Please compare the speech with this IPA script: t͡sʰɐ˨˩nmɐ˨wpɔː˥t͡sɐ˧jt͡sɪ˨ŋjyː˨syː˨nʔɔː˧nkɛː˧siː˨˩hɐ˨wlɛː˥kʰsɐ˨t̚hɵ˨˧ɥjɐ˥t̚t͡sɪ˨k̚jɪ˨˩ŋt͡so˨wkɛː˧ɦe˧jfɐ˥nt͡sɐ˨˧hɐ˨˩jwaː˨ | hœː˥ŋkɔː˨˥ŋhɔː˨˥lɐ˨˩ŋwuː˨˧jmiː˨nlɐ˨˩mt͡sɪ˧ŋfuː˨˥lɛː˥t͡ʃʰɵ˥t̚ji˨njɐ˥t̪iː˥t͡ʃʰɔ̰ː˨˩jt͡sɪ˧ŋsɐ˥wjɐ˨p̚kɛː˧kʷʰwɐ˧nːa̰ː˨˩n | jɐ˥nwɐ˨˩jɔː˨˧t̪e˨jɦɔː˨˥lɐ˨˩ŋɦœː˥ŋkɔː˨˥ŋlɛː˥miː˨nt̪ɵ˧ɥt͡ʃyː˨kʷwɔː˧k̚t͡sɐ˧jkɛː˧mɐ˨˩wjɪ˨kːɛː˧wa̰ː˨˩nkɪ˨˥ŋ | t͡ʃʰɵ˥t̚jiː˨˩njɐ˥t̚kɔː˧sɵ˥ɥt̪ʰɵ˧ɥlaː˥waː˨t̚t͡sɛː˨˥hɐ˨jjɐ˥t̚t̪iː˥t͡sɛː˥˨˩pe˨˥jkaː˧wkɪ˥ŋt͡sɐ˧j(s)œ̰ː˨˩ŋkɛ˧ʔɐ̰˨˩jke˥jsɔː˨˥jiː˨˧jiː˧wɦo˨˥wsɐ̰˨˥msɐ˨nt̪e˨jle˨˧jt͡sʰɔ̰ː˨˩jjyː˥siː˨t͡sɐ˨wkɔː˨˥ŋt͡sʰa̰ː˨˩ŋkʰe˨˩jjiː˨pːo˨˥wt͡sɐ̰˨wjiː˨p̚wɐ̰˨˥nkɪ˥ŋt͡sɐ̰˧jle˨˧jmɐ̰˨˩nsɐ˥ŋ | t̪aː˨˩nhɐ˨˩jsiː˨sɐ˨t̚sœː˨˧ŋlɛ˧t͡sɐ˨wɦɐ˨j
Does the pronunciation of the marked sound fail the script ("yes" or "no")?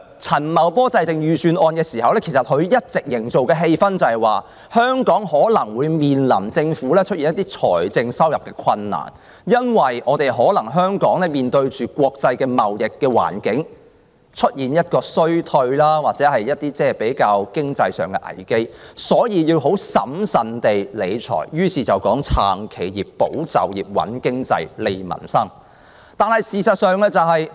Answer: no